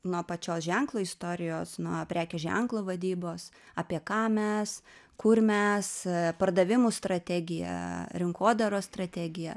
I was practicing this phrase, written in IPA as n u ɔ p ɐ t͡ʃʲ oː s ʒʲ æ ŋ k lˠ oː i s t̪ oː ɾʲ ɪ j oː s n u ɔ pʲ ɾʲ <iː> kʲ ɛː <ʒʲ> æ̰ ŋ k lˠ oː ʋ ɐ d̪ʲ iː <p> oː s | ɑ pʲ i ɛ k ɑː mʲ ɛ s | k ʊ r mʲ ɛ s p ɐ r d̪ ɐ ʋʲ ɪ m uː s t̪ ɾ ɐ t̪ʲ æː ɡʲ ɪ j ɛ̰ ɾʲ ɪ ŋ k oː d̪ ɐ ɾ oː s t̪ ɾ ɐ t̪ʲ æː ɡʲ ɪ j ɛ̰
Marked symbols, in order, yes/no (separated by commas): no, yes, no